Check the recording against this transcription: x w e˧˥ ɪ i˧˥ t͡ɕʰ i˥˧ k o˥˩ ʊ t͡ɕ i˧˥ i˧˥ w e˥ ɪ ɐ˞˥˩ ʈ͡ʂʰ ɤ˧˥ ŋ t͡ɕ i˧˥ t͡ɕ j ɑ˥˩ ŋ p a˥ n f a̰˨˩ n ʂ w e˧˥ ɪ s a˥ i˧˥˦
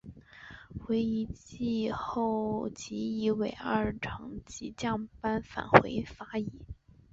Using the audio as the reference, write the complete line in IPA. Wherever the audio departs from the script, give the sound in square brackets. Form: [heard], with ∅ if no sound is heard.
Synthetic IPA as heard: x w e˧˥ ɪ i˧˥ [t͡ɕ] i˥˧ [x] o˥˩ ʊ t͡ɕ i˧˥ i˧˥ w [e˨˩] ɪ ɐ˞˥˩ ʈ͡ʂʰ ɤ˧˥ ŋ t͡ɕ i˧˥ t͡ɕ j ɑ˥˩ ŋ p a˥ n f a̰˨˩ n [x] w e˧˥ ɪ [f] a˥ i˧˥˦